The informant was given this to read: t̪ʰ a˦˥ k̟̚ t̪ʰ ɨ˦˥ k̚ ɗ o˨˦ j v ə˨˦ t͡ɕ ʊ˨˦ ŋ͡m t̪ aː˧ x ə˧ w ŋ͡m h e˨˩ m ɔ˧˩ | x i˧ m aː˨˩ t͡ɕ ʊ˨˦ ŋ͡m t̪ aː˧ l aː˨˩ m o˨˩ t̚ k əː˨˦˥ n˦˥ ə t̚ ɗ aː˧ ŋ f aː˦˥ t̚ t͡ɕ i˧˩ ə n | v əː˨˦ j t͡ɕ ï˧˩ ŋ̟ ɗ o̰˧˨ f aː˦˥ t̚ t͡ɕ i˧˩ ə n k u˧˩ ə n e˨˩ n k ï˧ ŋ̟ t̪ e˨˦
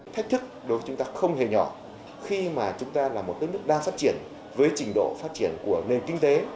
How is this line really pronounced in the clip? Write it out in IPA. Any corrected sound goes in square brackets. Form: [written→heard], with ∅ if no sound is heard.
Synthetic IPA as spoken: t̪ʰ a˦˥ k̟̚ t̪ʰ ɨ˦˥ k̚ ɗ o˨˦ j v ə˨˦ t͡ɕ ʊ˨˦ ŋ͡m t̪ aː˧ x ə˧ w ŋ͡m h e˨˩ [m→ɲ] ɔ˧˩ | x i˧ m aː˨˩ t͡ɕ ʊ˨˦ ŋ͡m t̪ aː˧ l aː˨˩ m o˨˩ t̚ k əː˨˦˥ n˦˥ ə [t̚→k̚] ɗ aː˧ ŋ f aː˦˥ t̚ t͡ɕ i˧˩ ə n | v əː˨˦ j t͡ɕ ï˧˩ ŋ̟ ɗ o̰˧˨ f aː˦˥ t̚ t͡ɕ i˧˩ ə n k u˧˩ ə n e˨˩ n k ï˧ ŋ̟ t̪ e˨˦